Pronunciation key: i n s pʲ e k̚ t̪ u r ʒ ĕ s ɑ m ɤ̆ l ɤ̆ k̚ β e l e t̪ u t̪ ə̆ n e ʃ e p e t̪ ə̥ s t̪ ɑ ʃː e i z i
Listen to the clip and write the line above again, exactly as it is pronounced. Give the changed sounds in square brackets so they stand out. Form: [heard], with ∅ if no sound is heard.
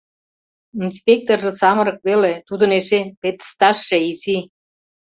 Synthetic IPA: i n s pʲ e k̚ t̪ [o] r ʒ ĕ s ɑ m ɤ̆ [ɾ] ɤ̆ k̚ β e l e t̪ u [d̪] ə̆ n e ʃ e p e t̪ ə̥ s t̪ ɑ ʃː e i z i

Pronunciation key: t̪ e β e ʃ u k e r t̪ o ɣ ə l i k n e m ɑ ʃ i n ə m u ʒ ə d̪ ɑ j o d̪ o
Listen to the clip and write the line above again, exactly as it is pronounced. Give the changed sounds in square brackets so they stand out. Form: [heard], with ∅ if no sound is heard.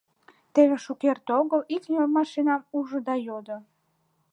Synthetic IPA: t̪ e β e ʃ u k e r t̪ o ɣ ə l i k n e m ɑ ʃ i n [ɑ] m u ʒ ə d̪ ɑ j o d̪ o

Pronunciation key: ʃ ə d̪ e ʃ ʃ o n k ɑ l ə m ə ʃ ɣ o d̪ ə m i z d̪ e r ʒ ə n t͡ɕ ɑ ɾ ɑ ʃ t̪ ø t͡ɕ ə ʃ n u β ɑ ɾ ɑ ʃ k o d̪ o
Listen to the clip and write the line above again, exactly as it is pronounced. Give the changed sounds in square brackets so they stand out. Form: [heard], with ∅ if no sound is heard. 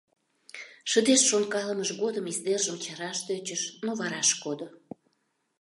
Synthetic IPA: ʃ ə d̪ e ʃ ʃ o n k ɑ l ə m ə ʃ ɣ o d̪ ə m i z d̪ e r ʒ ə [m] t͡ɕ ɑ ɾ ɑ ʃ t̪ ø t͡ɕ ə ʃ n [o] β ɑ ɾ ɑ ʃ k o d̪ o

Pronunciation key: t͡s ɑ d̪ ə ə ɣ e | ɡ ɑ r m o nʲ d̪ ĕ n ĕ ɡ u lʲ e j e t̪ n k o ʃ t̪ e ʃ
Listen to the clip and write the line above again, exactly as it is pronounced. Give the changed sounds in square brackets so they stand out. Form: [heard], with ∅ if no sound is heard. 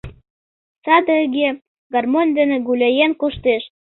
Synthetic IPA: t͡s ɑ d̪ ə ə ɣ e | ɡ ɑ r m o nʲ d̪ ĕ n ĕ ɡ u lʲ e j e [∅] n k o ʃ t̪ e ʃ

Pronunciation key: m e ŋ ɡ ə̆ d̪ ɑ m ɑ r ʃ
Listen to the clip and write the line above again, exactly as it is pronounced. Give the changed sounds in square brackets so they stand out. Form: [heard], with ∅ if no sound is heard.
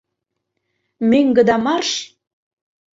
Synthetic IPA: m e ŋ ɡ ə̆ d̪ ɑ m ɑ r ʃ

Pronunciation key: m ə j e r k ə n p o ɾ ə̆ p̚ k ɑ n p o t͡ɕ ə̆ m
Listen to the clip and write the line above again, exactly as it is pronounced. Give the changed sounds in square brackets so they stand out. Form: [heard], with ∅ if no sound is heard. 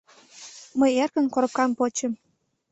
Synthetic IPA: m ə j e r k ə n [k] o ɾ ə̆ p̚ k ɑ [m] p o t͡ɕ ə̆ m

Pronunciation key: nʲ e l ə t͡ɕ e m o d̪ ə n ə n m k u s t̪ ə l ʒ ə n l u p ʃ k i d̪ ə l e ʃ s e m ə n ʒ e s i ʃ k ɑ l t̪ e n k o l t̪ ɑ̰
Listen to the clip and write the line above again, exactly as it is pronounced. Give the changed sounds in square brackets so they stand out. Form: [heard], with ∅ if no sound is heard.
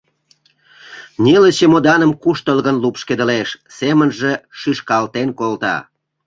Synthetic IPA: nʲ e l ə t͡ɕ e m o d̪ [ɑ] n ə [∅] m k u [ʃ] t̪ ə l [ɣ] ə n l u p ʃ k [e] d̪ ə l e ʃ s e m ə n ʒ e [ʃ] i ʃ k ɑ l t̪ e n k o l t̪ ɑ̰

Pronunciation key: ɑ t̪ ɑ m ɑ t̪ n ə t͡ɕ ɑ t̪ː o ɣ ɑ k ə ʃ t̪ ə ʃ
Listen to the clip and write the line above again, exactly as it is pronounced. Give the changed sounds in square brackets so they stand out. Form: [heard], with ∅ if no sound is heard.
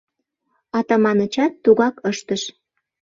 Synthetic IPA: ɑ t̪ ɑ m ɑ [∅] n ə t͡ɕ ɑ t̪ː [u] ɣ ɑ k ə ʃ t̪ ə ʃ

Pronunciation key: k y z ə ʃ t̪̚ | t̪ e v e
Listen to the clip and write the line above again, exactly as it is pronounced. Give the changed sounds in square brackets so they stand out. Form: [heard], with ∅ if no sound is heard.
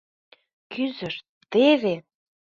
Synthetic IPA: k y z ə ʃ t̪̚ | t̪ e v e

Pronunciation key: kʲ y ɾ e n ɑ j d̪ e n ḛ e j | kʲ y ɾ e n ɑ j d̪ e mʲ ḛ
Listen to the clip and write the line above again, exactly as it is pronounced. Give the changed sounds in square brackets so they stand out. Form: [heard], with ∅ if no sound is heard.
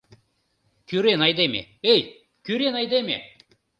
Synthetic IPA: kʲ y ɾ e n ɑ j d̪ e [m] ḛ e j | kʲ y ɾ e n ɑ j d̪ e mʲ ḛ

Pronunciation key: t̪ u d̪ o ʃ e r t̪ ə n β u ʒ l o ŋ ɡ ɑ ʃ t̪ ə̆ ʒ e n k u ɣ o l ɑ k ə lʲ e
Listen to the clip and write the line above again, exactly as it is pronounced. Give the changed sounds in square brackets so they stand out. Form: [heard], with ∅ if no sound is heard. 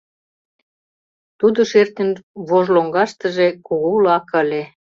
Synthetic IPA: t̪ u d̪ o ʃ e r t̪ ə n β [o] ʒ l o ŋ ɡ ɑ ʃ t̪ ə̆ ʒ e [∅] k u ɣ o l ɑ k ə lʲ e

